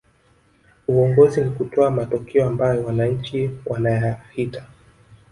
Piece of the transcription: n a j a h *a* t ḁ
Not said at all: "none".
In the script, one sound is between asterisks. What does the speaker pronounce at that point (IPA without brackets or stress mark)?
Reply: i